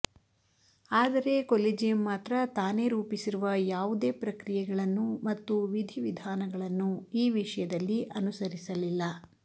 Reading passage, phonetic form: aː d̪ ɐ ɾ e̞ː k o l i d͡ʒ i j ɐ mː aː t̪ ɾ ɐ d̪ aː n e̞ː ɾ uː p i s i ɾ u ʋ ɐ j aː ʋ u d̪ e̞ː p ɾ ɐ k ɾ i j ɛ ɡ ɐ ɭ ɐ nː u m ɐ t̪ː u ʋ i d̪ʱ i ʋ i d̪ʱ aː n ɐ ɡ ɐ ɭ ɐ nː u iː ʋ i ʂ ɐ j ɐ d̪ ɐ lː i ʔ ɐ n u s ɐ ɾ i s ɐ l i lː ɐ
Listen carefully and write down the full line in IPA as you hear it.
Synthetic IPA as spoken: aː d̪ ɐ ɾ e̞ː k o l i d͡ʒ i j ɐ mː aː t̪ ɾ ɐ t̪ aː n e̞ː ɾ uː p i s i ɾ u ʋ ɐ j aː ʋ u d̪ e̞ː p ɾ ɐ k ɾ i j ɛ ɡ ɐ ɭ ɐ nː u m ɐ t̪ː u ʋ i d̪ʱ i ʋ i d̪ʱ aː n ɐ ɡ ɐ ɭ ɐ nː u iː ʋ i ʂ ɐ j ɐ d̪ ɐ lː i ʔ ɐ n u s ɐ ɾ i s ɐ l i lː ɐ